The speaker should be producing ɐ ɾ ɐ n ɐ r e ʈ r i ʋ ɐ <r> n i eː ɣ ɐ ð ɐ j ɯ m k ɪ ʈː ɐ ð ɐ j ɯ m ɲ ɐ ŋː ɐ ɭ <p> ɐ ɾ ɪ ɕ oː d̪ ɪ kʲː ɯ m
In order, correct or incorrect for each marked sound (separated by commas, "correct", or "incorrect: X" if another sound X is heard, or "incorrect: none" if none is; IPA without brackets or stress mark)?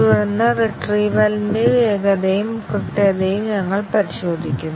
incorrect: l, correct